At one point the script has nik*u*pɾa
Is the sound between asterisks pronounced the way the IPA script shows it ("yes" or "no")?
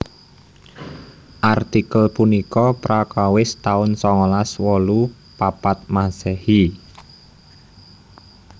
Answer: no